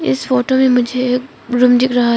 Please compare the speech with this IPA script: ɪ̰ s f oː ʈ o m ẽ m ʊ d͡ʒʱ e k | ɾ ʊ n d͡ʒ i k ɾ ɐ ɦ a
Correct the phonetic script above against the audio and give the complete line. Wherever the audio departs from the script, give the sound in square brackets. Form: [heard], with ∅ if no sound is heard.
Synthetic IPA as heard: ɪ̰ s f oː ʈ o m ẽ m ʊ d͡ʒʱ e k | ɾ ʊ [m] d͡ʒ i k ɾ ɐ ɦ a